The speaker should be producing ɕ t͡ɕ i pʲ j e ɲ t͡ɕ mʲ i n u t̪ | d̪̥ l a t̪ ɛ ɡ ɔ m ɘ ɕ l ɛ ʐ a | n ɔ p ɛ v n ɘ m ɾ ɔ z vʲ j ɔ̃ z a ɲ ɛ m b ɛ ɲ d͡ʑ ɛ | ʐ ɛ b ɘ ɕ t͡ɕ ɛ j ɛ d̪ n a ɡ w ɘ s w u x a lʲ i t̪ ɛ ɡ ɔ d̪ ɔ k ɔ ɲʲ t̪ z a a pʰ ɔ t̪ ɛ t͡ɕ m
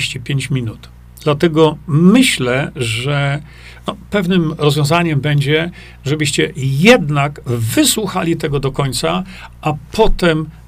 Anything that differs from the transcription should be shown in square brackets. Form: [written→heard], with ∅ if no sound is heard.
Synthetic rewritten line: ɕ t͡ɕ i pʲ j e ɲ t͡ɕ mʲ i n u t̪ | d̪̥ l a t̪ ɛ ɡ ɔ m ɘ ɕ l ɛ ʐ [a→ɛ] | n ɔ p ɛ v n ɘ m ɾ ɔ z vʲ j ɔ̃ z a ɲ ɛ m b ɛ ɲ d͡ʑ ɛ | ʐ ɛ b ɘ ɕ t͡ɕ ɛ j ɛ d̪ n a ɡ [w→v] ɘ s w u x a lʲ i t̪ ɛ ɡ ɔ d̪ ɔ k ɔ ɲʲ t̪ [z→s] a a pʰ ɔ t̪ ɛ [t͡ɕ→∅] m